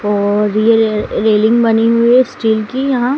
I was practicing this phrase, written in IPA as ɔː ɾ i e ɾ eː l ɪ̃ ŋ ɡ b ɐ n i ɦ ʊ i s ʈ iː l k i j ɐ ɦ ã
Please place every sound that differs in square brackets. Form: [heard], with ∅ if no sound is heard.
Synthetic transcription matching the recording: ɔː ɾ [j] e ɾ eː l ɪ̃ ŋ ɡ b ɐ n i ɦ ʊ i s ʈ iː l k i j ɐ ɦ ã